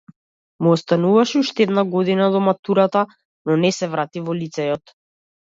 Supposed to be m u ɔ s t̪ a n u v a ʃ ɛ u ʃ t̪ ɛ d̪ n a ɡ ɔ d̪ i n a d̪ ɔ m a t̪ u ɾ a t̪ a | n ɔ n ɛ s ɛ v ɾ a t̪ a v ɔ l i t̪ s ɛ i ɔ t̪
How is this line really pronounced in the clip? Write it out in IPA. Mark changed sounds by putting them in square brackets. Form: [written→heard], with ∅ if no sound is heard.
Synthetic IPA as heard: m u ɔ s t̪ a n u v a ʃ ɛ u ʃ t̪ ɛ d̪ n a ɡ ɔ d̪ i n a d̪ ɔ m a t̪ u ɾ a t̪ a | n ɔ n ɛ s ɛ v ɾ a t̪ [a→i] v ɔ l i t̪ s ɛ [i→j] ɔ t̪